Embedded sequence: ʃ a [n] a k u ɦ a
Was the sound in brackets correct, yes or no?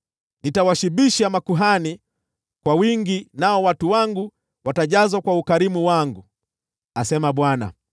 no